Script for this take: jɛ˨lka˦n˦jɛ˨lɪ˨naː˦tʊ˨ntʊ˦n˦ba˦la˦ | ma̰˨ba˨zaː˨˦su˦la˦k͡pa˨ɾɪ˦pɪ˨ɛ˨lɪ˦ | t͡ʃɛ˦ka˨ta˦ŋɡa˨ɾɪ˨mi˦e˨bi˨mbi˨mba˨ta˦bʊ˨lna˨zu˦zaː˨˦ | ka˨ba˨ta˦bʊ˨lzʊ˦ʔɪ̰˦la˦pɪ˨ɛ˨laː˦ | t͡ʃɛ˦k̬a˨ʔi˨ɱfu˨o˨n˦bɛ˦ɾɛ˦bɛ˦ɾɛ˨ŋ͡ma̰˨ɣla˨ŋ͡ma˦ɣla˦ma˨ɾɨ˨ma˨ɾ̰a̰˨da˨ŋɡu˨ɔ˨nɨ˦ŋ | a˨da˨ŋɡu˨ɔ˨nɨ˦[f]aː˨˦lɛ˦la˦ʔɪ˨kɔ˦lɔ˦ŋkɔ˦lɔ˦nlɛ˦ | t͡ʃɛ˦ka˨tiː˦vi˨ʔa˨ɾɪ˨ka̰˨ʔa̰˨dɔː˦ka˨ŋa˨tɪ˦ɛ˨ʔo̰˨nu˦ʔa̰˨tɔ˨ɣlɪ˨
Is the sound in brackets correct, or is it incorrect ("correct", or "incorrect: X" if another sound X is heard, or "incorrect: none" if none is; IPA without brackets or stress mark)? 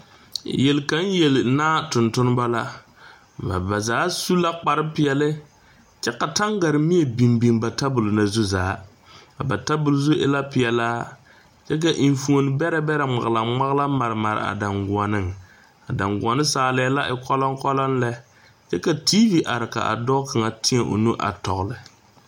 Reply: incorrect: s